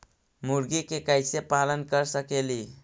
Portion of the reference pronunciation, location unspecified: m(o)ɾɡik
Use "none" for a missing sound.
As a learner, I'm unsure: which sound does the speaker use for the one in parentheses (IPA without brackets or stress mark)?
u